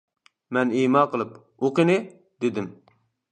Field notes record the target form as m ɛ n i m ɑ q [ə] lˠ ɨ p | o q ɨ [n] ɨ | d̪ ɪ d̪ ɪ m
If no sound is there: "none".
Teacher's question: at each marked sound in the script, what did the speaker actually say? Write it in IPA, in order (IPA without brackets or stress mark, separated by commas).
ə, n